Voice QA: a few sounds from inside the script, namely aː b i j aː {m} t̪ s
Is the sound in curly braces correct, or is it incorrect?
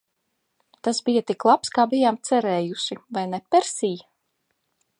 correct